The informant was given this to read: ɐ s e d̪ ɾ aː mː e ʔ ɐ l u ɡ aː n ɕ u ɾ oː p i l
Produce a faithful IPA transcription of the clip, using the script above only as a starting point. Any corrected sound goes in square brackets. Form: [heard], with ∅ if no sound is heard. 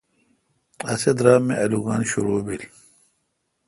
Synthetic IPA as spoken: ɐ s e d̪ ɾ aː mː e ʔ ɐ l u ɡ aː n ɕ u ɾ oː [b] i l